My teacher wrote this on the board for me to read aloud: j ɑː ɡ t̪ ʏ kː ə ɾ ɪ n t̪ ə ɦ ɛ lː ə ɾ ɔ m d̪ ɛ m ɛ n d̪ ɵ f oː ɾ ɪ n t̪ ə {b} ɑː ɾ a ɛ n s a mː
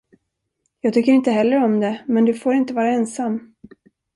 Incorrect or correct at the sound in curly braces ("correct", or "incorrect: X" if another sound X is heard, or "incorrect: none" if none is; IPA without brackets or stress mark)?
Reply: incorrect: v